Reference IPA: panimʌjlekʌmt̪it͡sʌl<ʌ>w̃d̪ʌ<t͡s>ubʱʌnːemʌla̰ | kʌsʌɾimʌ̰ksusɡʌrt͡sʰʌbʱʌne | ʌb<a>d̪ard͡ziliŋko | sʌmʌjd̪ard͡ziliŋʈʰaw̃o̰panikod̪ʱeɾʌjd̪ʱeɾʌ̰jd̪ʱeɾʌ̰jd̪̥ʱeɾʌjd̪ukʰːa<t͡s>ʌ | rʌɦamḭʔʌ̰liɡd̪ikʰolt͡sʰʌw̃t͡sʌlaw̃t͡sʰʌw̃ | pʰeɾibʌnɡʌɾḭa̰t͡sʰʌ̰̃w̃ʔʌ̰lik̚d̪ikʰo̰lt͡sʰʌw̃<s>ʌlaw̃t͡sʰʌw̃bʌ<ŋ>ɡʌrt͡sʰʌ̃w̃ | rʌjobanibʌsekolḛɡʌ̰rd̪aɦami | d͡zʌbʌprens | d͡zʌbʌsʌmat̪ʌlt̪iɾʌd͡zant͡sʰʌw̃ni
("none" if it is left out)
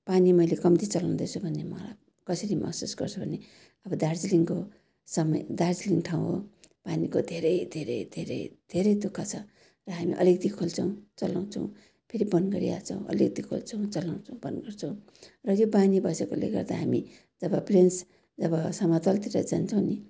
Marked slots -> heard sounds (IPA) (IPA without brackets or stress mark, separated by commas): a, t͡sʰ, ʌ, t͡sʰ, t͡s, n